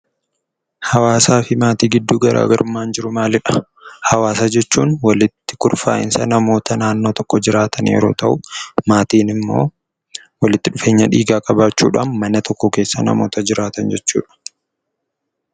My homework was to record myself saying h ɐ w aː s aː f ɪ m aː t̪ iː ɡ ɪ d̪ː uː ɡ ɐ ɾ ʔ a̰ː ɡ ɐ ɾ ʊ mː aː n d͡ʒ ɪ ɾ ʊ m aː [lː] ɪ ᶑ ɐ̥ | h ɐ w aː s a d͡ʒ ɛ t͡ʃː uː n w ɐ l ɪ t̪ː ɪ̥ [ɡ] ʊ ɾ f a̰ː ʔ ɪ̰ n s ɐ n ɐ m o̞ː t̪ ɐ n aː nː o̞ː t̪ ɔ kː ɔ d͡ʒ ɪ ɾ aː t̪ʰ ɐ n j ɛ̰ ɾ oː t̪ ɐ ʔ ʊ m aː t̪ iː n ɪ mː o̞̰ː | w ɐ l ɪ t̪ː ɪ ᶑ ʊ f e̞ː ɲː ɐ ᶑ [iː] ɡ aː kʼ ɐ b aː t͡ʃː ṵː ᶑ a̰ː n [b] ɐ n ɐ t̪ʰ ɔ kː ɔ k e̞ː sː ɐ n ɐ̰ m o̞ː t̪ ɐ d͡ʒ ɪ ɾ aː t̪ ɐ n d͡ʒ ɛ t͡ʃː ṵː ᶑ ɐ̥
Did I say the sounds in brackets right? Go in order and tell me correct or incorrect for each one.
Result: incorrect: l, incorrect: k, correct, incorrect: m

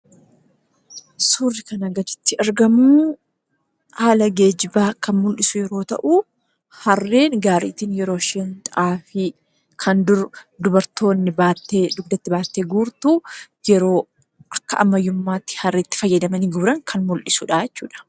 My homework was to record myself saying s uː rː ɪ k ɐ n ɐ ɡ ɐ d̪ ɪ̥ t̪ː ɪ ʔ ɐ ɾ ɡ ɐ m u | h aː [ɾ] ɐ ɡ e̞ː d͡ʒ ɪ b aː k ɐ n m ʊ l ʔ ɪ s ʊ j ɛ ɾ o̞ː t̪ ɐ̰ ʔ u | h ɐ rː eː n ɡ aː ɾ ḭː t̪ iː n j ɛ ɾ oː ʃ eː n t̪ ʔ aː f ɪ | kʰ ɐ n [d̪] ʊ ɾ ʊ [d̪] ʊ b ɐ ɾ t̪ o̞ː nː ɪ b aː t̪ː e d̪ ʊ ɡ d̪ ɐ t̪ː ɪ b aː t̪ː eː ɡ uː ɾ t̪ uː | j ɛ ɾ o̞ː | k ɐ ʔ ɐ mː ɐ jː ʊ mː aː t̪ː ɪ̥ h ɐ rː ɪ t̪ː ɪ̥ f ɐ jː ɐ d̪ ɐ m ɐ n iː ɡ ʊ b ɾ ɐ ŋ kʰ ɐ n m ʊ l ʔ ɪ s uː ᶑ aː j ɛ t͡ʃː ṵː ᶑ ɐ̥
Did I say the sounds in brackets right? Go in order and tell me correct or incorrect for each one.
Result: incorrect: l, correct, correct

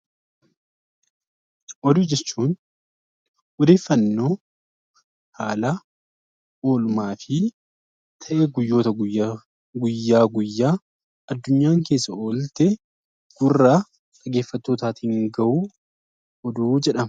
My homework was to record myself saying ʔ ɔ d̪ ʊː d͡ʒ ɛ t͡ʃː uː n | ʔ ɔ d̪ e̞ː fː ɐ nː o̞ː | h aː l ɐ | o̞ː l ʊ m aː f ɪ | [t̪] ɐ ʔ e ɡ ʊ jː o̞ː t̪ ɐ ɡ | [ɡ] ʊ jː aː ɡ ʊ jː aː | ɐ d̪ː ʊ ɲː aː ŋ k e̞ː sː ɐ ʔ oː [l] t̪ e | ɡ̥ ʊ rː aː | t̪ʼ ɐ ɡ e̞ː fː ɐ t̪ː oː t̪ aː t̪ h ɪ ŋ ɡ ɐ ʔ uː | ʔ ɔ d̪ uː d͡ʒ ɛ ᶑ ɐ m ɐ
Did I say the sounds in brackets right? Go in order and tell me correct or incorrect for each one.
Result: incorrect: t̪ʰ, correct, correct

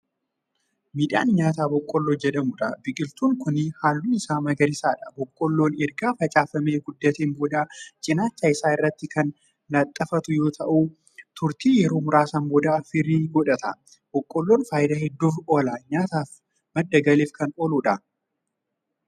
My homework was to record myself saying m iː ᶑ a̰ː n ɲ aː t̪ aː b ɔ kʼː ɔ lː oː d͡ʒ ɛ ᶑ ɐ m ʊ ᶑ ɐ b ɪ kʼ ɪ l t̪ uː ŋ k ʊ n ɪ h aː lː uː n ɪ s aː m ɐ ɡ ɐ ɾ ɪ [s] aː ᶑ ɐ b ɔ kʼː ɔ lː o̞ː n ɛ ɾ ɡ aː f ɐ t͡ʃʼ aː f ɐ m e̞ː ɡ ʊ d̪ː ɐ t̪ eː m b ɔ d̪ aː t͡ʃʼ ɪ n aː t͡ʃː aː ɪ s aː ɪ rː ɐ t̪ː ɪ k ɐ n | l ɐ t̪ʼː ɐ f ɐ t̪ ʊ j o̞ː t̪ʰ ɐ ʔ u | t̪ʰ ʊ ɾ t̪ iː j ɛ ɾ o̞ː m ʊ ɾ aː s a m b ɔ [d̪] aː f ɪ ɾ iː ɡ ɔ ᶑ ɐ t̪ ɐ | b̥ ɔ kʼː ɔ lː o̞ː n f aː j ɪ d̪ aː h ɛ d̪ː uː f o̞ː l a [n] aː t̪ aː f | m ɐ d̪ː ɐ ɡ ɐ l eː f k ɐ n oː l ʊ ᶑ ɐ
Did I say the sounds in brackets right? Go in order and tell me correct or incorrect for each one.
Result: correct, correct, incorrect: ɲ

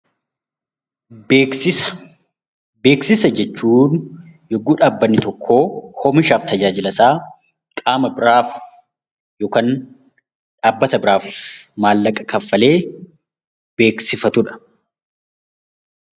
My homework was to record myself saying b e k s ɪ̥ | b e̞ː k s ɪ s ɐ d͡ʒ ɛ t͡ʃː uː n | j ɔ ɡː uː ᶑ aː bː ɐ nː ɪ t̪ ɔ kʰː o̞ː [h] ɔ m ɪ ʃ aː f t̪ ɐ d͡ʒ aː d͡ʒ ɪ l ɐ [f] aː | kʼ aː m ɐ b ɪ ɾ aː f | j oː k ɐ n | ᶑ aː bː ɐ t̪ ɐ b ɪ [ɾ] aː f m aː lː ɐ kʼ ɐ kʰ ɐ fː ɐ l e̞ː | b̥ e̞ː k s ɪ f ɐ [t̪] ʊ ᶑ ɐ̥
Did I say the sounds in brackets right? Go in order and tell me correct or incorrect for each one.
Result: correct, incorrect: s, correct, correct

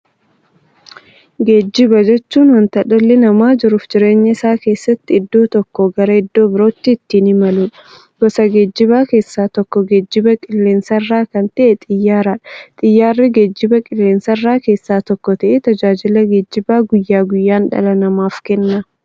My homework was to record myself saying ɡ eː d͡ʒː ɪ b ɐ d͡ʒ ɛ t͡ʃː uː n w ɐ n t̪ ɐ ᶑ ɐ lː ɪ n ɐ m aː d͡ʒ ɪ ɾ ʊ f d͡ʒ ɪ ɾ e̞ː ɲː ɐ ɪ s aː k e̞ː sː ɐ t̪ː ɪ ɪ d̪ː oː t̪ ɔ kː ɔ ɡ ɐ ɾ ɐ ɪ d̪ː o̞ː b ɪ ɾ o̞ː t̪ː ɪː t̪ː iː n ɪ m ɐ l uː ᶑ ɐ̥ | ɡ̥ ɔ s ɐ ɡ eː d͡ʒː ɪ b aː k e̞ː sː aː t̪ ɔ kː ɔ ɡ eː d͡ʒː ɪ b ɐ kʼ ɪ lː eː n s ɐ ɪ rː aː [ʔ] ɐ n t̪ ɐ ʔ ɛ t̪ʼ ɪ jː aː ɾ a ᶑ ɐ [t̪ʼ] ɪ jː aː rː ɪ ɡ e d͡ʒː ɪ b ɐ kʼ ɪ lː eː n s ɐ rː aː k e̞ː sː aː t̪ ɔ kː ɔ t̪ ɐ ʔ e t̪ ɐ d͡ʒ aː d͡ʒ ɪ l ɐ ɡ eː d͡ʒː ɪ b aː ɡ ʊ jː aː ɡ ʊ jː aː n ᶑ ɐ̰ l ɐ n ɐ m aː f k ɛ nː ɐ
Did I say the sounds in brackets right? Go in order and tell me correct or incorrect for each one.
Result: incorrect: k, correct

